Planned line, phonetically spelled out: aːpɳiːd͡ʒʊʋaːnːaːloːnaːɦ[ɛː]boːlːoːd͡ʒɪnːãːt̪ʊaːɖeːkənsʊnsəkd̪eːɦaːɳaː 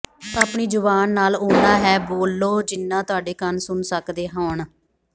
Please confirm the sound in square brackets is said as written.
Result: yes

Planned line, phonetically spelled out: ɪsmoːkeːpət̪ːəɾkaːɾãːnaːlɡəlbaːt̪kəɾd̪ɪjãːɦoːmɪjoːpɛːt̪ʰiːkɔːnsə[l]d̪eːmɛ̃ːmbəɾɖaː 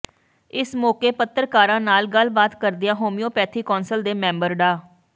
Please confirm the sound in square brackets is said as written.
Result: yes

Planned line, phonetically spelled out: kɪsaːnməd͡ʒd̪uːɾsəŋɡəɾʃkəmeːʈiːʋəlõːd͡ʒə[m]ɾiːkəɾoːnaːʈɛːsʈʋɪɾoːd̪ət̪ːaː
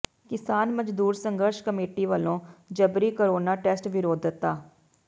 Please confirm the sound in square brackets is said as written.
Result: no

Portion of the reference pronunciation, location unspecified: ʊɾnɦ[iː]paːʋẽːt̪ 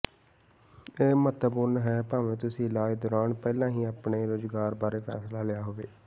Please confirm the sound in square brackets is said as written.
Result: no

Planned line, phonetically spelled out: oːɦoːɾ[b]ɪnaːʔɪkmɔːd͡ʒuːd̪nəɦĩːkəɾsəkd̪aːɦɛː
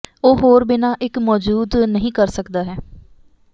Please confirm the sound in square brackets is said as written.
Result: yes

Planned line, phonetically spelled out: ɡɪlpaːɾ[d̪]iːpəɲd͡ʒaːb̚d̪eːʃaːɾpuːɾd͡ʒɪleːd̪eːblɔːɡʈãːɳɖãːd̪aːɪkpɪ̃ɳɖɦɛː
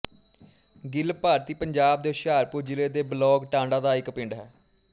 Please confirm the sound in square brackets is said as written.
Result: no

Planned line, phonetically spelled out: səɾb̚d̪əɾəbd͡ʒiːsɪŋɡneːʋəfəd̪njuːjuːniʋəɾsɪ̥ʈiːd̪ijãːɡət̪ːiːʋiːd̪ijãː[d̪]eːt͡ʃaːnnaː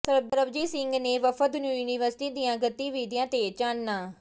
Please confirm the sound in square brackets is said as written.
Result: no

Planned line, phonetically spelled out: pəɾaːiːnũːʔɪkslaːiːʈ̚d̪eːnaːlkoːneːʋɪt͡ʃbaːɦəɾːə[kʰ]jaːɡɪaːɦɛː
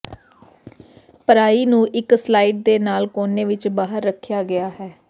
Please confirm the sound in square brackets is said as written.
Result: yes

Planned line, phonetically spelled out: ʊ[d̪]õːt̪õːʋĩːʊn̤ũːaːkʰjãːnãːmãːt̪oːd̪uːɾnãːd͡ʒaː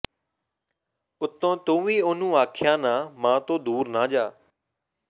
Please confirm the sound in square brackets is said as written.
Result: no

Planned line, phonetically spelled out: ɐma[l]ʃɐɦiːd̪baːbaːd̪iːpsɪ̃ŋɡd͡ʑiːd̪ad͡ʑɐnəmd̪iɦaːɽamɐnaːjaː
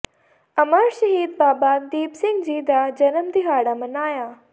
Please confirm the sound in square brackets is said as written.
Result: no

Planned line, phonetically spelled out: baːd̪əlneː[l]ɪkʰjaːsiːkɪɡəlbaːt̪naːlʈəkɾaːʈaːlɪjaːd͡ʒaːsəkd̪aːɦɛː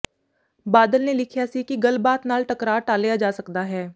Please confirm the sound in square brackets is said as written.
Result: yes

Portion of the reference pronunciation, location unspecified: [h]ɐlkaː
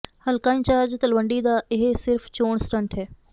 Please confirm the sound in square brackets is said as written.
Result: yes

